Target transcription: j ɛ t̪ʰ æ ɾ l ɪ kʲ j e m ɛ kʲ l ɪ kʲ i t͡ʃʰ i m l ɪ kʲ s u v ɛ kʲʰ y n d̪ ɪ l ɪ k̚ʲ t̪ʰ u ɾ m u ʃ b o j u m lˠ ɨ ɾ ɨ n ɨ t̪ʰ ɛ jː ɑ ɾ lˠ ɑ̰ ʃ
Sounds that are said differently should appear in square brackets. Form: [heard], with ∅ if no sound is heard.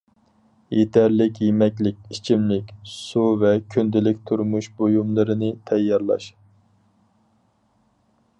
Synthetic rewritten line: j [e] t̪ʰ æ ɾ l ɪ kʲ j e m ɛ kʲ l ɪ kʲ i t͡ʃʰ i m l ɪ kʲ s u v ɛ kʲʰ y n d̪ ɪ l ɪ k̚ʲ t̪ʰ u ɾ m u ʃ b o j u m lˠ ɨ ɾ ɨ n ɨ t̪ʰ ɛ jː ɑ ɾ lˠ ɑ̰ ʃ